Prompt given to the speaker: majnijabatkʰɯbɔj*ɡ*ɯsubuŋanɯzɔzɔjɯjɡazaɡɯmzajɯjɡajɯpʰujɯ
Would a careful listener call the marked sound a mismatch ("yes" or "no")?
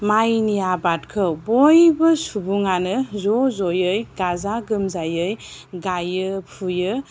yes